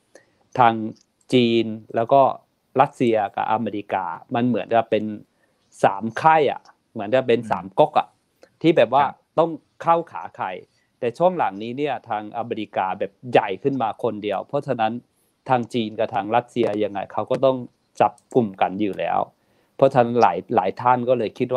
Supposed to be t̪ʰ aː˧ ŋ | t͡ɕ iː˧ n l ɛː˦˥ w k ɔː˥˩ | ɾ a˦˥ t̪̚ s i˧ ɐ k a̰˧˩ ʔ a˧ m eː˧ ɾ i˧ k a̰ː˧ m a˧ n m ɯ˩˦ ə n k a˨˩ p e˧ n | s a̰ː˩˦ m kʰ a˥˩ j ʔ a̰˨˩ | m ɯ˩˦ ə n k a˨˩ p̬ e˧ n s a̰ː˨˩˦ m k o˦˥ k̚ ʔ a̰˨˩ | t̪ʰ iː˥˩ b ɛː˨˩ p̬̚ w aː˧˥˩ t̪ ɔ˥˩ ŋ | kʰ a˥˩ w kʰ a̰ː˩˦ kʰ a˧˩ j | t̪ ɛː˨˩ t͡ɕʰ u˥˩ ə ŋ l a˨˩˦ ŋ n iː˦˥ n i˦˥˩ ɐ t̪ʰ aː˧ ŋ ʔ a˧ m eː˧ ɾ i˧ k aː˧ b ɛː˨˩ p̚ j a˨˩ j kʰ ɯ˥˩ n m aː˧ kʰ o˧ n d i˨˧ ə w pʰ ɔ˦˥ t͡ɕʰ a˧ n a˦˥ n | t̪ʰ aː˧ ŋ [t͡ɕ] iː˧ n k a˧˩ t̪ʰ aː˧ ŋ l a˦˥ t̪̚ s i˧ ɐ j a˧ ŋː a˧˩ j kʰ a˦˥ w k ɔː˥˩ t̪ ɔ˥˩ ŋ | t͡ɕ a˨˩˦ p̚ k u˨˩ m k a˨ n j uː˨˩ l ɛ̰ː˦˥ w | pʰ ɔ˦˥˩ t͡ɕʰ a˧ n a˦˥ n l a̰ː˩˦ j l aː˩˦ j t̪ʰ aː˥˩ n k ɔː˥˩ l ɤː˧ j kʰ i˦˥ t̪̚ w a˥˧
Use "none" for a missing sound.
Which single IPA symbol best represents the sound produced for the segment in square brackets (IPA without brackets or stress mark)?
t͡ɕ